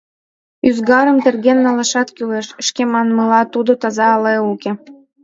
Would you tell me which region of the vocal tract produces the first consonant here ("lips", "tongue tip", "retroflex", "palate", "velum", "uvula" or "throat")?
tongue tip